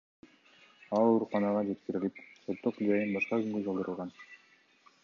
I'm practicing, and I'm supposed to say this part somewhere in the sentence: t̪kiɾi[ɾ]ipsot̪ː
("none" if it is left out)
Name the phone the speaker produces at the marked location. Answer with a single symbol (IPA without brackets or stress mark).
l